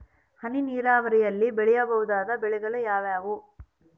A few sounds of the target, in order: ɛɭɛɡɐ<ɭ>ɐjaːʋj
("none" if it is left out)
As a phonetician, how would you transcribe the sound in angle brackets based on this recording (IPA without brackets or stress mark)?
ɭ